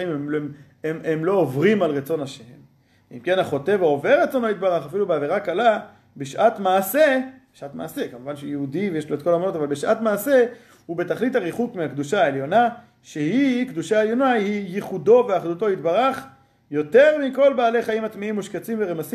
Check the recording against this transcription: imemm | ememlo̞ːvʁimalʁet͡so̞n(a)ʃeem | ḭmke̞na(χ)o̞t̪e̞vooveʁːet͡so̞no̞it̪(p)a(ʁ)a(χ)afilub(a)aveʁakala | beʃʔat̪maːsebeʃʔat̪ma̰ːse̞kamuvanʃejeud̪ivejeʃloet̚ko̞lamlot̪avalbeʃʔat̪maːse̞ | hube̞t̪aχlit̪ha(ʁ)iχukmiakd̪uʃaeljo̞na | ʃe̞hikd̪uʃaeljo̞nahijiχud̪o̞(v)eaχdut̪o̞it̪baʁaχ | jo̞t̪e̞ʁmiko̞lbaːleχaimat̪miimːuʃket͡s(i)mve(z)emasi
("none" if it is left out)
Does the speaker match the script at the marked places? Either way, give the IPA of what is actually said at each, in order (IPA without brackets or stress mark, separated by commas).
a, χ, b, ʁ, χ, e, ʁ, v, i, ʁ